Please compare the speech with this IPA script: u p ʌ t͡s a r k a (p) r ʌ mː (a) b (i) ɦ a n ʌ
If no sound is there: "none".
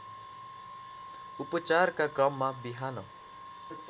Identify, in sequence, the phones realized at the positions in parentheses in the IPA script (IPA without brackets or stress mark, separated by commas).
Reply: k, a, i